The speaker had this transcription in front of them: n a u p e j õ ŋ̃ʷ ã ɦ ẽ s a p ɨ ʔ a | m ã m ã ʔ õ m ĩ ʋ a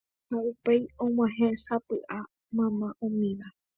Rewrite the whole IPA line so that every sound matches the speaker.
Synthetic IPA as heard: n a u p e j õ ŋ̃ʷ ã ɦ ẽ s a p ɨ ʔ a | m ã m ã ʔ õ m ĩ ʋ a